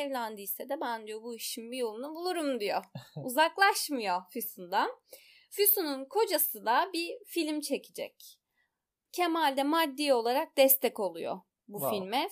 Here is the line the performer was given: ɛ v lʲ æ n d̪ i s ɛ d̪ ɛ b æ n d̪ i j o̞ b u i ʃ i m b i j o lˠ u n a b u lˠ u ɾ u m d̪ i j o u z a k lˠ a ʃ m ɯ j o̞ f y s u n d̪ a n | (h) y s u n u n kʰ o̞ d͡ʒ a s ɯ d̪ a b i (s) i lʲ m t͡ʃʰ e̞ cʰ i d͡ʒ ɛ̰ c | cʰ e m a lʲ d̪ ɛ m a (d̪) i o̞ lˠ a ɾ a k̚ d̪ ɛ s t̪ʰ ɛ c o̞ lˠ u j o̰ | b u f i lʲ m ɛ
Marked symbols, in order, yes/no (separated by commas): no, no, no